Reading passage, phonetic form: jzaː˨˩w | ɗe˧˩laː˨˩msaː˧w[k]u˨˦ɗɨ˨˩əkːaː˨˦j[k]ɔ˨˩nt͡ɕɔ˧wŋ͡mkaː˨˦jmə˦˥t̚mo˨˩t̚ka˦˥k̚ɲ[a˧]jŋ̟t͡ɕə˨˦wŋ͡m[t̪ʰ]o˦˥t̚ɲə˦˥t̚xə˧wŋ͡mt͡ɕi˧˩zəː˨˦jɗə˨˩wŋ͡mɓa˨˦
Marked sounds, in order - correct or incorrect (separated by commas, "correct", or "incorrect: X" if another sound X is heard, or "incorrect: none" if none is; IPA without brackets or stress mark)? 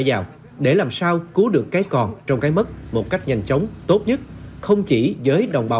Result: correct, correct, incorrect: a˨˩, incorrect: t̪